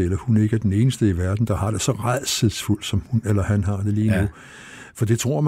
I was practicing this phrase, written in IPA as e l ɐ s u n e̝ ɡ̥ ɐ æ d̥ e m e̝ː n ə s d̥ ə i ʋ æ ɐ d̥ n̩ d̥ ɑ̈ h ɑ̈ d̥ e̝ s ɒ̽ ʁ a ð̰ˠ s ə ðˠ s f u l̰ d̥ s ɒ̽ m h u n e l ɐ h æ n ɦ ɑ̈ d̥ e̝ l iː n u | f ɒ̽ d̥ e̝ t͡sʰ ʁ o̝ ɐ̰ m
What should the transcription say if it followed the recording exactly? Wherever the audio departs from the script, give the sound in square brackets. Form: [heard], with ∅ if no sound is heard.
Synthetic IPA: e l ɐ [h] u n e̝ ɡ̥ [ə] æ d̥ e [n] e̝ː n ə s d̥ ə i ʋ æ ɐ d̥ n̩ d̥ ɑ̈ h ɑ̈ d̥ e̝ s ɒ̽ ʁ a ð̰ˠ s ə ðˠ s f u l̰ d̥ s ɒ̽ m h u n e l ɐ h æ n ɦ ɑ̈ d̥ e̝ l iː n u | f ɒ̽ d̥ e̝ t͡sʰ ʁ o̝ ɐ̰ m